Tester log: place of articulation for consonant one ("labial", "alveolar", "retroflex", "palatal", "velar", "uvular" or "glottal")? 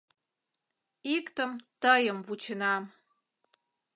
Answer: velar